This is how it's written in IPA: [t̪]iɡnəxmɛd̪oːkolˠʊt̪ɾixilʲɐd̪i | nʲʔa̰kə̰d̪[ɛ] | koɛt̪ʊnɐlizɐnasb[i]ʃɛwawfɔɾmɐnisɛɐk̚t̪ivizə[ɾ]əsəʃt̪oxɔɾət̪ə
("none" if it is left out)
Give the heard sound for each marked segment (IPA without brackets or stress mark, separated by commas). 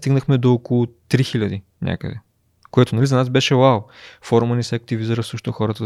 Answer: t̪, ɛ, ɛ, ɾ